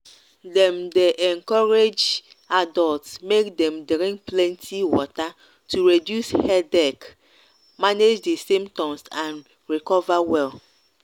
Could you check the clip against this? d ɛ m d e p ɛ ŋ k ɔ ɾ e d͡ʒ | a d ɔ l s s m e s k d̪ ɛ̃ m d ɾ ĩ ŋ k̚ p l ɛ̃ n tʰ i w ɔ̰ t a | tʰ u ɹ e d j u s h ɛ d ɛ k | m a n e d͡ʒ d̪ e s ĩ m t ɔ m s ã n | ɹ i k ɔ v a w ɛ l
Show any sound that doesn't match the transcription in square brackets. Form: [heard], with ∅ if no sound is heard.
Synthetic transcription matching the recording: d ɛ m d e [ʔ] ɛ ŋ k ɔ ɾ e d͡ʒ | a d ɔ l [t] s m e [∅] k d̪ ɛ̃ m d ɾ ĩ ŋ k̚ p l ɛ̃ n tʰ i w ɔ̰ t a | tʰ u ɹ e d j u s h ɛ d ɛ k | m a n e d͡ʒ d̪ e s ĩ m t ɔ m s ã n | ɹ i k ɔ v a w ɛ l